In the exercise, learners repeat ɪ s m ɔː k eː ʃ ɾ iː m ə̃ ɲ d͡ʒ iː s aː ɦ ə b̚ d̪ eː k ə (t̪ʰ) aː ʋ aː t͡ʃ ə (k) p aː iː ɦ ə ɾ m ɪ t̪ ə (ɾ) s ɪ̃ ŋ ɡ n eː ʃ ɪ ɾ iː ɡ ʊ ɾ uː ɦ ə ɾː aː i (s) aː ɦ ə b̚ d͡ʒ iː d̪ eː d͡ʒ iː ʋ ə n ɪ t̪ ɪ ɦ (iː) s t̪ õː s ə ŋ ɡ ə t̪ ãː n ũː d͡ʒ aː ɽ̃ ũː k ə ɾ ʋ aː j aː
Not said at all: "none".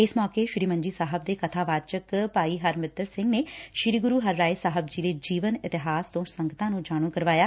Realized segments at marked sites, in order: t̪ʰ, k, ɾ, s, aː

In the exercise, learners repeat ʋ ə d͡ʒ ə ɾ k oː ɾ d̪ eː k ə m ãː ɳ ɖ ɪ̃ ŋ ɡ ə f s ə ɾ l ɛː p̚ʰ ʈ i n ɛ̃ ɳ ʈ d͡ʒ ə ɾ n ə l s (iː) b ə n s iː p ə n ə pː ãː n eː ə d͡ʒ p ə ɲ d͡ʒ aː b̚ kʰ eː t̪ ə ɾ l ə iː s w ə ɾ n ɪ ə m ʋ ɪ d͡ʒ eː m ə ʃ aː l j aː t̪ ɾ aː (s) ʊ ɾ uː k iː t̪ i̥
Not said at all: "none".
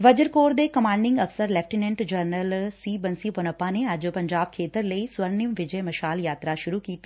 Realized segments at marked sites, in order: iː, ʃ

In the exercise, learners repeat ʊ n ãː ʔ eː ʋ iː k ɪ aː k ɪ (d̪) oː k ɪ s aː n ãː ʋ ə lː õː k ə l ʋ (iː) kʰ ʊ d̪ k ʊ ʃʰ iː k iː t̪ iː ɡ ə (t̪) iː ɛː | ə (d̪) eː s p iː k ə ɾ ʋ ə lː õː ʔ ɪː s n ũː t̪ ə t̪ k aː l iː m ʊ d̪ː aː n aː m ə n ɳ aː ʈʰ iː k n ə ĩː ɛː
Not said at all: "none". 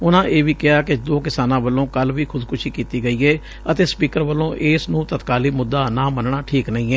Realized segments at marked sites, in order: d̪, iː, none, t̪

